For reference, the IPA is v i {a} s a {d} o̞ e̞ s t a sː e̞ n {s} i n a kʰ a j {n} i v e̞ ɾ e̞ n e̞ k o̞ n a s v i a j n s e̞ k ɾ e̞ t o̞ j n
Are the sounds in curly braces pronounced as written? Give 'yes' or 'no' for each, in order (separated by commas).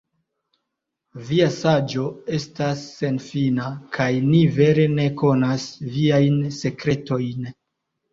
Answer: yes, no, no, yes